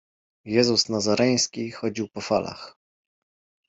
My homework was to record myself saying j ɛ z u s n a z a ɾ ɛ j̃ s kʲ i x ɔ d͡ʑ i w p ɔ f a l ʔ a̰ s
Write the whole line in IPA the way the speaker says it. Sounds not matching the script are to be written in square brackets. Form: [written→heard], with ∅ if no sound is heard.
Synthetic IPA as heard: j ɛ z u s n a z a ɾ ɛ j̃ s kʲ i x ɔ d͡ʑ i w p ɔ f a l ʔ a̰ [s→x]